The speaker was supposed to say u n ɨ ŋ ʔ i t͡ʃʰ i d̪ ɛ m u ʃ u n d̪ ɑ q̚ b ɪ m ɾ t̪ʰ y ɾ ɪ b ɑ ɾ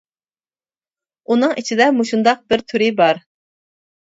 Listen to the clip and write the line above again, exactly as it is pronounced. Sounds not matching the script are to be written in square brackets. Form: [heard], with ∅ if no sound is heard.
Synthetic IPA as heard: u n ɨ ŋ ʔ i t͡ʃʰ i d̪ ɛ m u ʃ u n d̪ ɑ q̚ b ɪ [∅] ɾ t̪ʰ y ɾ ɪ b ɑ ɾ